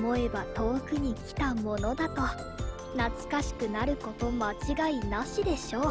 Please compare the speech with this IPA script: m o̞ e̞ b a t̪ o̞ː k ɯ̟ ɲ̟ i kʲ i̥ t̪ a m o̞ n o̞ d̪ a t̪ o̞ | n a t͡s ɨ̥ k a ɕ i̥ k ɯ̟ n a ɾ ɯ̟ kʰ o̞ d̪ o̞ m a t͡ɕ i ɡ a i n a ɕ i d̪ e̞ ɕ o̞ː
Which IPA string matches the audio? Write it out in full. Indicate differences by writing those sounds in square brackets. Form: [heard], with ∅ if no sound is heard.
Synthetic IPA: m o̞ e̞ b a t̪ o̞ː k ɯ̟ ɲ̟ i kʲ i̥ t̪ a m o̞ n o̞ d̪ a t̪ o̞ | n a t͡s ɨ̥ k a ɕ i̥ k ɯ̟ n a ɾ ɯ̟ [k] o̞ [t̪] o̞ m a t͡ɕ i ɡ a i n a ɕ i d̪ e̞ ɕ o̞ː